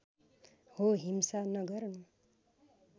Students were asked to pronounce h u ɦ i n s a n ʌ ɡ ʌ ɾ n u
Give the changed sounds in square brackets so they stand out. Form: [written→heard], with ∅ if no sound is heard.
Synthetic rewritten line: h [u→o] ɦ i [n→m] s a n ʌ ɡ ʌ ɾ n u

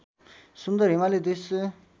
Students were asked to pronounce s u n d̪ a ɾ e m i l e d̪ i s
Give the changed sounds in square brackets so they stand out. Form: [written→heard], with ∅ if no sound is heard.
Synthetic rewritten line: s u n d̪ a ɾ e m [i→a] l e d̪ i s

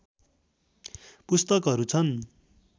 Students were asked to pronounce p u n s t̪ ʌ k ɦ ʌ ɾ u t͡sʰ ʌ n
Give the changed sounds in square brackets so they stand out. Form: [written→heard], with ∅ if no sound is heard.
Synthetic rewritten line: p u [n→∅] s t̪ ʌ k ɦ ʌ ɾ u t͡sʰ ʌ n

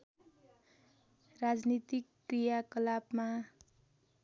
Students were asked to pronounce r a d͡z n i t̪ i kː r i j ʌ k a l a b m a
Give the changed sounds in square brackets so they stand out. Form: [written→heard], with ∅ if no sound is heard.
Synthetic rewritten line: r a d͡z n i t̪ i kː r i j [ʌ→a] k [a→ʌ] l a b m a

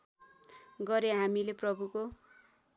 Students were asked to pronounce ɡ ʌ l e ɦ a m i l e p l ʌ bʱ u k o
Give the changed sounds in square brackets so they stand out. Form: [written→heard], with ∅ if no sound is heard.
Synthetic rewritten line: ɡ ʌ [l→ɾ] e ɦ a m i l e p [l→r] ʌ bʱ u k o

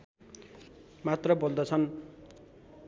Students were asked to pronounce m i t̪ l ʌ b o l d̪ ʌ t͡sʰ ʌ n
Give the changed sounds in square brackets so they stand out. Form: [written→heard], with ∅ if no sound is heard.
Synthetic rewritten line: m [i→a] t̪ [l→r] ʌ b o l d̪ ʌ t͡sʰ ʌ n

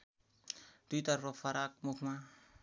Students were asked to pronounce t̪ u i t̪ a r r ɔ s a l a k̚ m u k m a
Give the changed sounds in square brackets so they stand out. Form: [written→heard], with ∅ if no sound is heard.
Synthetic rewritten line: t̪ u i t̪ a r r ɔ [s→f] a [l→ɾ] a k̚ m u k m a

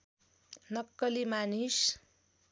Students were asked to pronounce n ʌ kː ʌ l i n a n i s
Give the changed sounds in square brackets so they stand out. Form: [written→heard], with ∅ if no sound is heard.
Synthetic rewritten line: n ʌ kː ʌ l i [n→m] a n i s

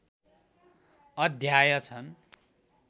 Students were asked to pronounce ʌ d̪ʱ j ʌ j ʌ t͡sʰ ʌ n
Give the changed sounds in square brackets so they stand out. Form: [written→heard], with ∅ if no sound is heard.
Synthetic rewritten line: ʌ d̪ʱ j [ʌ→a] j ʌ t͡sʰ ʌ n

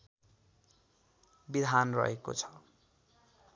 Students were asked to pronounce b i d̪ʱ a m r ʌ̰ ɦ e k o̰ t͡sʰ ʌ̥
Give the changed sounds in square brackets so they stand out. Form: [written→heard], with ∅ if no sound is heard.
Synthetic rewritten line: b i d̪ʱ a [m→n] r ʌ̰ ɦ e k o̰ t͡sʰ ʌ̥

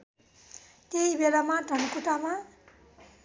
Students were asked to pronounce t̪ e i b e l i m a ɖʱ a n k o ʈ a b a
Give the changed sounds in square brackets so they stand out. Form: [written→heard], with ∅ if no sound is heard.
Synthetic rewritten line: t̪ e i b e l [i→a] m a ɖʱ [a→ʌ] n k [o→u] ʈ a [b→m] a

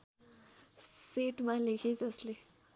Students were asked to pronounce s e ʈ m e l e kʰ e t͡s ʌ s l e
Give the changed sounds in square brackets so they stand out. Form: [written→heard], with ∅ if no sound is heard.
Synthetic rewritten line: s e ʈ m [e→a] l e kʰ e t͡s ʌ s l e

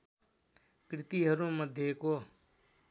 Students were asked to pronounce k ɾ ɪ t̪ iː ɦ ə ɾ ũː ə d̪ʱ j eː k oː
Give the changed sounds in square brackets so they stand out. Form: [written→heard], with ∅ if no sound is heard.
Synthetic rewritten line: k ɾ ɪ t̪ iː ɦ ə ɾ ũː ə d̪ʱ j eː k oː

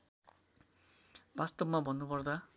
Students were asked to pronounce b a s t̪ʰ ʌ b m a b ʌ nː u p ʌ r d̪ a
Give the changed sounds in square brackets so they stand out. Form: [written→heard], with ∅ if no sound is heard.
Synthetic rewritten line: b a s [t̪ʰ→t̪] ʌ b m a b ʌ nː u p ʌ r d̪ a

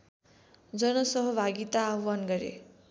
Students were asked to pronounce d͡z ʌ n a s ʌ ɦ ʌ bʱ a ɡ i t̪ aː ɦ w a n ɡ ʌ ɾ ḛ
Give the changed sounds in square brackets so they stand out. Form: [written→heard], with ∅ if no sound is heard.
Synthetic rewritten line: d͡z ʌ n [a→ʌ] s ʌ ɦ ʌ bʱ a ɡ i t̪ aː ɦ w a n ɡ ʌ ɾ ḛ

